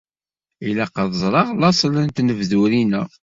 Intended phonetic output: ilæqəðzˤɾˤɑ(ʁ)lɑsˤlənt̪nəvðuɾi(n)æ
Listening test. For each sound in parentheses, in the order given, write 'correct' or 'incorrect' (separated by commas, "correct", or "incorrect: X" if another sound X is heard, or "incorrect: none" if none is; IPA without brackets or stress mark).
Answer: correct, correct